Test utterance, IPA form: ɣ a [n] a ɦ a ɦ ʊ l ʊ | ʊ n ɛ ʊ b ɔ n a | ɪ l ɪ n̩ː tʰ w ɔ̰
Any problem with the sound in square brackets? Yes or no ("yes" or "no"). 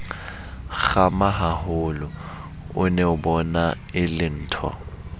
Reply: yes